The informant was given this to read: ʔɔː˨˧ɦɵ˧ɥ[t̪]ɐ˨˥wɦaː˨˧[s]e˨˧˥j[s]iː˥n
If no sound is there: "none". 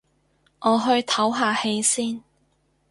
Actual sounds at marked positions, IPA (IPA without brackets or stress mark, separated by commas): t̪ʰ, h, s